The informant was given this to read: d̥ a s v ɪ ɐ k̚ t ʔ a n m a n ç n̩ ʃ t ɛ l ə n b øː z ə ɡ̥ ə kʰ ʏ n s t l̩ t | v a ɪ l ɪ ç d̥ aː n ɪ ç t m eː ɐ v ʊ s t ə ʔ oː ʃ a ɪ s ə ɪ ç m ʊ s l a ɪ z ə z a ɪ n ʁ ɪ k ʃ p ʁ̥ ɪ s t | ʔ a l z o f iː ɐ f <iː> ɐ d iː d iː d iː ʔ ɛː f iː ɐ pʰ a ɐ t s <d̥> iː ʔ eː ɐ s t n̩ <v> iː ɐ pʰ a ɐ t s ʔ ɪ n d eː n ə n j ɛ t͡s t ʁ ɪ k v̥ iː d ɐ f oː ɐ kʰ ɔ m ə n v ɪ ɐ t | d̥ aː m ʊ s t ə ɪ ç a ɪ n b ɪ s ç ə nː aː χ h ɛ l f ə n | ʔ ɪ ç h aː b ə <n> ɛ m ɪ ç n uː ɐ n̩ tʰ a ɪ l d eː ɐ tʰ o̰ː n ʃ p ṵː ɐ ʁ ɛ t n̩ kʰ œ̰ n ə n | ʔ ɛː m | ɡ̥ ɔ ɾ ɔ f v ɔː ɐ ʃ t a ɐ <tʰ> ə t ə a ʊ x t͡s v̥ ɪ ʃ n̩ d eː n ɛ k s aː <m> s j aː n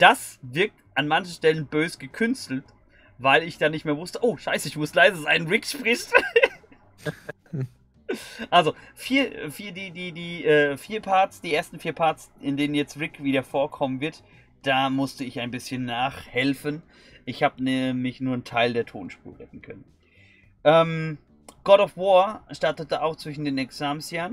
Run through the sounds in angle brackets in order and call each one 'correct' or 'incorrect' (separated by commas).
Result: correct, correct, incorrect, correct, incorrect, correct